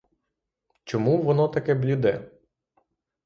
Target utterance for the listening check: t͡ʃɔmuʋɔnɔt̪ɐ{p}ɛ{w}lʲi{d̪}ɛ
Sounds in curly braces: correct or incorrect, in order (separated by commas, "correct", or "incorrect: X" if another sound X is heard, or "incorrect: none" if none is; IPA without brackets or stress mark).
incorrect: k, incorrect: b, correct